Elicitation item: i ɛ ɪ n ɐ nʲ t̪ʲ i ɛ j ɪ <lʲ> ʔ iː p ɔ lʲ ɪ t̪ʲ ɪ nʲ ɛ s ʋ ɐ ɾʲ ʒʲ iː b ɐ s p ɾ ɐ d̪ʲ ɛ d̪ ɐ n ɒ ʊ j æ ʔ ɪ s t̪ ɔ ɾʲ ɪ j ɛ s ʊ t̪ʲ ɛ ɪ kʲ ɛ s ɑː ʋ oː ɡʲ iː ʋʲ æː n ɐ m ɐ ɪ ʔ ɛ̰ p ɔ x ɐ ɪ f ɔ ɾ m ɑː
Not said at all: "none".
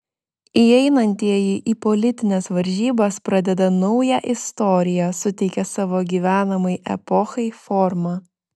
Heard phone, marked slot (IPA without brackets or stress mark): none